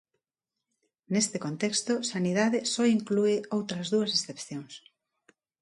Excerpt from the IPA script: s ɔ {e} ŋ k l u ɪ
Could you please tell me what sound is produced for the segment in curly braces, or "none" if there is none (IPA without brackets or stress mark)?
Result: i